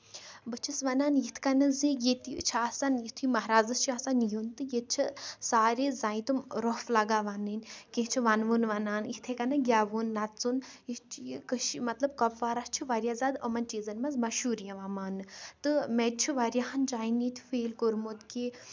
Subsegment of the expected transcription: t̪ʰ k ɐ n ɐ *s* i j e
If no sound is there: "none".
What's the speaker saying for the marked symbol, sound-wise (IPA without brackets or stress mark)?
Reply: z